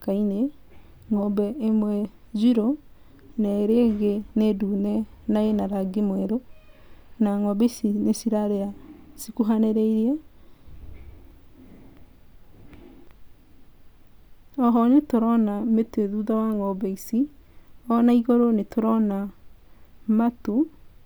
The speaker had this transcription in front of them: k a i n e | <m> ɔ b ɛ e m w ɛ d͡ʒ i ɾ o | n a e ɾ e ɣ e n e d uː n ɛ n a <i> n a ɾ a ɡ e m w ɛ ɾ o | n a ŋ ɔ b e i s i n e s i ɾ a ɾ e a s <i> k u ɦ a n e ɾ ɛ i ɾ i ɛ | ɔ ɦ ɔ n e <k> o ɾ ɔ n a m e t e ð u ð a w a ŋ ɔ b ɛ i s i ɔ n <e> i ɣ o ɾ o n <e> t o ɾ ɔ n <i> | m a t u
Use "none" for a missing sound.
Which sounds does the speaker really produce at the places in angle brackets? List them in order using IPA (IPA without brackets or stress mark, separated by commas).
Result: ŋ, e, i, t, a, e, a